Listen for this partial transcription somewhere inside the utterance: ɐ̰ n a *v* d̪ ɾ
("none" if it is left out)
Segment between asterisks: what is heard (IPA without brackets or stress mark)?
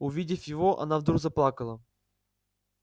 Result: v